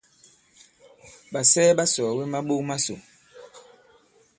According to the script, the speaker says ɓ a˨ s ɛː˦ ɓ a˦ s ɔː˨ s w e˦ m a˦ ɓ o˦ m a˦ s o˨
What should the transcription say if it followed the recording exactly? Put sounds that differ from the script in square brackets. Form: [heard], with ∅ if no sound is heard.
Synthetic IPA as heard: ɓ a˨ s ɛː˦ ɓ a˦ s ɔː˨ [∅] w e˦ m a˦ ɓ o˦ m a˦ s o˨